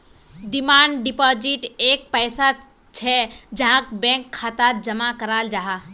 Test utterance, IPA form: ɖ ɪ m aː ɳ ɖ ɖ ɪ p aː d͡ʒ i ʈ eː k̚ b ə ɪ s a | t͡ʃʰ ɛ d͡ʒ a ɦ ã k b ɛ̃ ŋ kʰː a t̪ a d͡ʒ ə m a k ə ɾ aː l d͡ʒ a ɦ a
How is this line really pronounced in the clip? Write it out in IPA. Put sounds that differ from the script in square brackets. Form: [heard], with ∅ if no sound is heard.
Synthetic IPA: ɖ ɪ m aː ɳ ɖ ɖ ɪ p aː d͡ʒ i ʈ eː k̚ [p] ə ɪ s a | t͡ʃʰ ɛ d͡ʒ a ɦ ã k b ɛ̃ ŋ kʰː a t̪ a d͡ʒ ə m a k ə ɾ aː l d͡ʒ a ɦ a